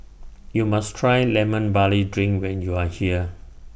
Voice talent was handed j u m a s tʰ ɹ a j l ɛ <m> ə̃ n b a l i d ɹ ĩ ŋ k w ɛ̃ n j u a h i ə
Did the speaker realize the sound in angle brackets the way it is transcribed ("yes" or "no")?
yes